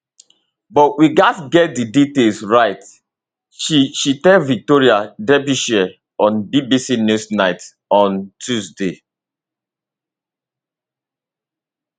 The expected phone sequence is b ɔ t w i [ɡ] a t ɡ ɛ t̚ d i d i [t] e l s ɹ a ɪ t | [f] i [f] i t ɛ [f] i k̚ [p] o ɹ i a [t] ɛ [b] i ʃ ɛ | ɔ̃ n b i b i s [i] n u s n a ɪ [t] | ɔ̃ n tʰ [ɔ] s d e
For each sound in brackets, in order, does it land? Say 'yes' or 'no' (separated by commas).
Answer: yes, yes, no, no, no, no, no, yes, yes, yes, no